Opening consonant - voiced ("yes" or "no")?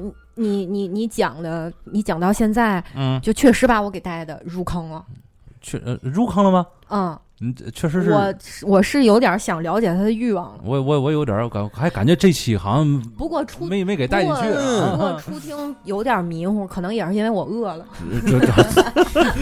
yes